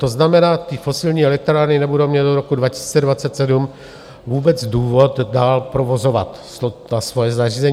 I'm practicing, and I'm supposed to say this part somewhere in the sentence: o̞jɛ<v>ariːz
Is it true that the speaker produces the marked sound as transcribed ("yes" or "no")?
no